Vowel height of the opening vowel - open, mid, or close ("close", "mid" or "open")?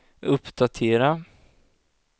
mid